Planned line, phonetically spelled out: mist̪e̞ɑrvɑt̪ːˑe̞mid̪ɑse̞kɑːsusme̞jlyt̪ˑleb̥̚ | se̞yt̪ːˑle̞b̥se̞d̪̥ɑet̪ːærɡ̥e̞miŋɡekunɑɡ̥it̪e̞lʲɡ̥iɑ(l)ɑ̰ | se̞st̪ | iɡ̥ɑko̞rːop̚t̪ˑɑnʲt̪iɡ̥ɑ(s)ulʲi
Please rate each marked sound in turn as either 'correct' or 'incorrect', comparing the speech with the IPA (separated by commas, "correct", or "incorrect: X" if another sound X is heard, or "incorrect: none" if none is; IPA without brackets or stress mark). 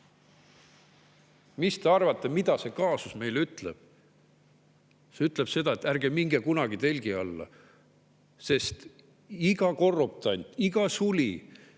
incorrect: lː, correct